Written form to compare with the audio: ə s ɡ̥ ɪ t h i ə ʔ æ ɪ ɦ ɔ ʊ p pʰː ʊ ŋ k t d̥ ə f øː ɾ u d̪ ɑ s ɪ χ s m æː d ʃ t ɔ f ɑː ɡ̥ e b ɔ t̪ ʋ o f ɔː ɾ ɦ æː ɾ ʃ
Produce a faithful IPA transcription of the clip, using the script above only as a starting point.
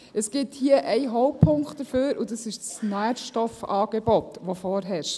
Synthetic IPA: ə s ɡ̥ ɪ t h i ə ʔ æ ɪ ɦ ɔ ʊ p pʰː ʊ ŋ k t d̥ ə f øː ɾ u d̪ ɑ s ɪ ʃ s n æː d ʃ t ɔ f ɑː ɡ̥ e b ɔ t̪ ʋ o f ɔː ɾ ɦ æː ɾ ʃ